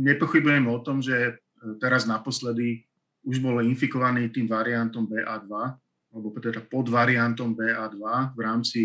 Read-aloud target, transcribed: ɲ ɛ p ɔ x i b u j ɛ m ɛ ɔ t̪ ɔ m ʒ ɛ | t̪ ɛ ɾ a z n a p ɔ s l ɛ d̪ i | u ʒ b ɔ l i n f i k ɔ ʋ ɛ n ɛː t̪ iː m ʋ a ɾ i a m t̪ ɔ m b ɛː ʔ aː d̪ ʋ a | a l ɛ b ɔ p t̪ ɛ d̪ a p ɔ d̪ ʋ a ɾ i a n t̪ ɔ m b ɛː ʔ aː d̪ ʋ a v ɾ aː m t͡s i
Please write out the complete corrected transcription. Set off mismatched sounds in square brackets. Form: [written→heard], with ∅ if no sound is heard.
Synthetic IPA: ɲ ɛ p ɔ x i b u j ɛ m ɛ ɔ t̪ ɔ m ʒ ɛ | t̪ ɛ ɾ a z n a p ɔ s l ɛ d̪ i | u ʒ b ɔ l i n f i k ɔ ʋ [ɛ→a] n [ɛː→iː] t̪ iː m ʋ a ɾ i a [m→n] t̪ ɔ m b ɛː ʔ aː d̪ ʋ a | a l ɛ b ɔ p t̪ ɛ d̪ a p ɔ d̪ ʋ a ɾ i a n t̪ ɔ m b ɛː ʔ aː d̪ ʋ a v ɾ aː m t͡s i